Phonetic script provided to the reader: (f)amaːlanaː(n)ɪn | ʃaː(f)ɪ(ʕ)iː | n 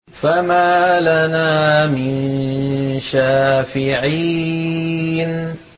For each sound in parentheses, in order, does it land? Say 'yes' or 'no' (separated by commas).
yes, no, yes, yes